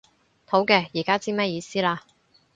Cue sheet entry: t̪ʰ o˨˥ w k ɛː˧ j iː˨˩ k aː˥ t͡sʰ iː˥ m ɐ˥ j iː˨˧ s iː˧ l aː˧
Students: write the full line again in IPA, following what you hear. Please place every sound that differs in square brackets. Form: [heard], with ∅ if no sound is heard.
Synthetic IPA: t̪ʰ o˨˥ w k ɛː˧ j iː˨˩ k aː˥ [t͡s] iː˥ m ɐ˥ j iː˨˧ s [iː˥] l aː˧